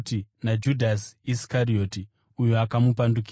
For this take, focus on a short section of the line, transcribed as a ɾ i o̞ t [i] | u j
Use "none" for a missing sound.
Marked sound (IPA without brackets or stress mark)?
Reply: i